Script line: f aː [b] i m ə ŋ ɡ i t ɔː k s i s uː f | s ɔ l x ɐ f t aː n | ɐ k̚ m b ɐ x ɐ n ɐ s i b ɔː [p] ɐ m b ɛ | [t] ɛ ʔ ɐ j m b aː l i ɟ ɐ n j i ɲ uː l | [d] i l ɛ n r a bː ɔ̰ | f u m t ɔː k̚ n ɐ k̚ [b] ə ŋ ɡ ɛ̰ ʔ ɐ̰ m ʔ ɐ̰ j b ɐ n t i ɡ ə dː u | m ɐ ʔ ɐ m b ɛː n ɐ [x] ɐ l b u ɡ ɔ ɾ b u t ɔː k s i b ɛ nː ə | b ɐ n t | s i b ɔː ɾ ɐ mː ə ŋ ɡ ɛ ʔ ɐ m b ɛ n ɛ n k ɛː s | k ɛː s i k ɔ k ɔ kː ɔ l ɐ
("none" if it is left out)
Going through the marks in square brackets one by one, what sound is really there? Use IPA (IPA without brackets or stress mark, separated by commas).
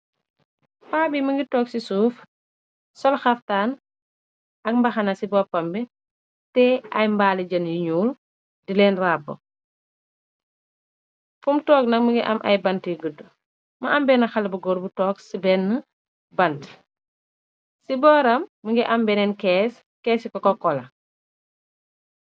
b, p, t, d, m, x